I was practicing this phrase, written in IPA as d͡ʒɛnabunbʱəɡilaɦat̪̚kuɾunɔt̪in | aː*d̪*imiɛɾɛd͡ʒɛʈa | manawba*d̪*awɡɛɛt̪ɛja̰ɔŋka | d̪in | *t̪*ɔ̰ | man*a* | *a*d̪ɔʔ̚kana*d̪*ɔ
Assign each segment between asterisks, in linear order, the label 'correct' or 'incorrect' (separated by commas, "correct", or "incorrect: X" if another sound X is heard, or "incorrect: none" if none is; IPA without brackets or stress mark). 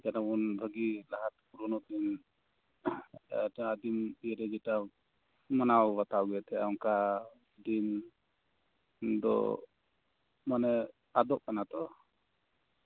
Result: correct, incorrect: t̪, incorrect: d̪, incorrect: ɛ, correct, incorrect: t̪